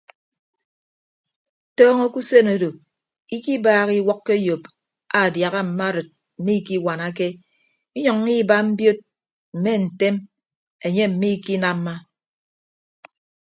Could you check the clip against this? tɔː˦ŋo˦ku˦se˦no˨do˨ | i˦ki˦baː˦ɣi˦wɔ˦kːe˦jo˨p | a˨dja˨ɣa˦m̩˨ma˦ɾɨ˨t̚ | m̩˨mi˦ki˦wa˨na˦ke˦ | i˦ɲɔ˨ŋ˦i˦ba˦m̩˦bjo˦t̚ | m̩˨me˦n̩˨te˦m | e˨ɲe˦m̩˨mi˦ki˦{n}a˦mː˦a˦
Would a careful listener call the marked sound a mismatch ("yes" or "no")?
no